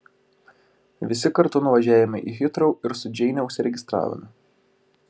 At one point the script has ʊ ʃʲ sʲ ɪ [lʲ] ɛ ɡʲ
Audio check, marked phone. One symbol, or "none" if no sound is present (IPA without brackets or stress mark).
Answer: ɾʲ